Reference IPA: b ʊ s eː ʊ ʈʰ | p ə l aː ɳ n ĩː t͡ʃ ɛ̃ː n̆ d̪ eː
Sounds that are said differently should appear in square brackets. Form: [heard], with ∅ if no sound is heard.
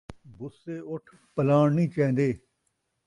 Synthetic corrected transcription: b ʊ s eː ʊ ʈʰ | p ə l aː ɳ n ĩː t͡ʃ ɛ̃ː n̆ d̪ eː